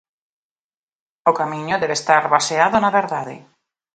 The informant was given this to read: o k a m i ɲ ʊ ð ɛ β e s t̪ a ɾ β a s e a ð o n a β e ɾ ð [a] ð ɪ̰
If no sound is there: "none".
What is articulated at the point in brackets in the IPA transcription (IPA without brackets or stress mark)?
a